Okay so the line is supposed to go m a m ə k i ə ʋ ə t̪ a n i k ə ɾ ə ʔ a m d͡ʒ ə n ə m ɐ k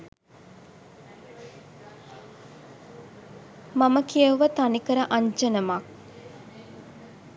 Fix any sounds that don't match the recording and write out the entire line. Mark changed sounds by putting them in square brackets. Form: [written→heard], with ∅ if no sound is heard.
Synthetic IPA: m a m ə k i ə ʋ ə t̪ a n i k ə ɾ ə ʔ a [m→ɲ] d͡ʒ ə n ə m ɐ k